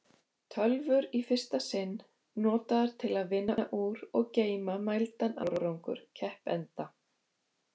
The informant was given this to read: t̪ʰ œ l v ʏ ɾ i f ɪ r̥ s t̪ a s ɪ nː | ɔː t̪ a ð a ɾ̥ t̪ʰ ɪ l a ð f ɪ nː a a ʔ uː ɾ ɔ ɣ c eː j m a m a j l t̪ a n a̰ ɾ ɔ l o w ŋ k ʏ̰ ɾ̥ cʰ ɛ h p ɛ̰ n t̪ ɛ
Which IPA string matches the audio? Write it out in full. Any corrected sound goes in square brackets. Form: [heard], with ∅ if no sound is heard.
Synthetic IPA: t̪ʰ œ l v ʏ ɾ i f ɪ r̥ s t̪ a s ɪ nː | ɔː t̪ a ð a ɾ̥ t̪ʰ ɪ l a ð [v] ɪ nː a a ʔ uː ɾ ɔ ɣ c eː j m a m a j l t̪ a n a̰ ɾ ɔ [ɾ] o w ŋ k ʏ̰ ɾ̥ cʰ ɛ h p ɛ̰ n t̪ [a]